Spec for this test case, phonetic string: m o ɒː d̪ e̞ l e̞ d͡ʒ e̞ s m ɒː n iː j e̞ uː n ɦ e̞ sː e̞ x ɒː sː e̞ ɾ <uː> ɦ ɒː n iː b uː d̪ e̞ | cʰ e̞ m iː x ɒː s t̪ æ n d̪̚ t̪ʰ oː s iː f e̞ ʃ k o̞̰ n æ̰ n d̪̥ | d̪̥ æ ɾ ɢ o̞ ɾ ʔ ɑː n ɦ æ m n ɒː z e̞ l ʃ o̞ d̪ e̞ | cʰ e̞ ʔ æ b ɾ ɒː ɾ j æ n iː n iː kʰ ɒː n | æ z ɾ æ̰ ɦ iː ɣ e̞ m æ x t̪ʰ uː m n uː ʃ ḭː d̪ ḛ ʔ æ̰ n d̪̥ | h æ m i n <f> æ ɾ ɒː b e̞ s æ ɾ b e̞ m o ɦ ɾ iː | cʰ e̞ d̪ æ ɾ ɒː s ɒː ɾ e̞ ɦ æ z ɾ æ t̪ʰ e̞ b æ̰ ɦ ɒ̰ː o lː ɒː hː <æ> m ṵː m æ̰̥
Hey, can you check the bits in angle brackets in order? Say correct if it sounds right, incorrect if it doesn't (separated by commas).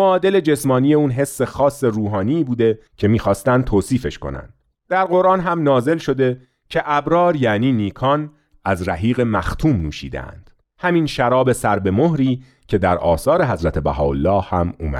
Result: correct, incorrect, correct